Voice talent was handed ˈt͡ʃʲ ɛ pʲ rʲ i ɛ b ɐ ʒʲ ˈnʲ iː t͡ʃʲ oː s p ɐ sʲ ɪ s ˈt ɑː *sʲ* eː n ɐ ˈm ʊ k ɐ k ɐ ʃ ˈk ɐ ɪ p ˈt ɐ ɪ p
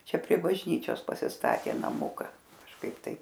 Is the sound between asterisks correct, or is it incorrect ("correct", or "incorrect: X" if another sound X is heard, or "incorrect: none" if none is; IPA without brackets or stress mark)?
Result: incorrect: tʲ